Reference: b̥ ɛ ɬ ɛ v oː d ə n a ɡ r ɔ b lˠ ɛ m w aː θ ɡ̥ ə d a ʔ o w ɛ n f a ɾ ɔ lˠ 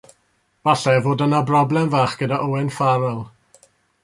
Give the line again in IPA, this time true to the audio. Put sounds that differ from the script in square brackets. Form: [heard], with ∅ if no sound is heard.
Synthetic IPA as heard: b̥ [a] ɬ ɛ v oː d ə n a [b] r ɔ b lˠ ɛ m [v] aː [χ] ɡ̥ ə d a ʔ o w ɛ n f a ɾ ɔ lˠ